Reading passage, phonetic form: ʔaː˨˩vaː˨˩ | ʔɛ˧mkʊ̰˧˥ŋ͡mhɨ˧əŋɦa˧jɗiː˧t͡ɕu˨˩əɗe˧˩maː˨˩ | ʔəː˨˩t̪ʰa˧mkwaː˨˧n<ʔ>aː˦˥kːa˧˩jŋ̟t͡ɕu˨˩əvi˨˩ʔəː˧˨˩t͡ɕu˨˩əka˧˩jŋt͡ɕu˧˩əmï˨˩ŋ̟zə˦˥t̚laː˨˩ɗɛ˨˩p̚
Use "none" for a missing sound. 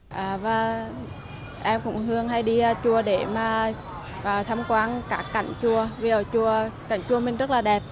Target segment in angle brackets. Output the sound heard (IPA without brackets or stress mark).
k